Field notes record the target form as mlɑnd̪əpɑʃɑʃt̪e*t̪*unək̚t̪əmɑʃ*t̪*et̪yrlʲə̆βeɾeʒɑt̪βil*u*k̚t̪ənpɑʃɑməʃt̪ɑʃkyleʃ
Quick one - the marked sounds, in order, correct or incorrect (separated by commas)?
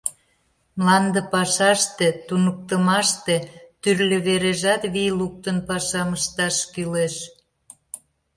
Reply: correct, correct, correct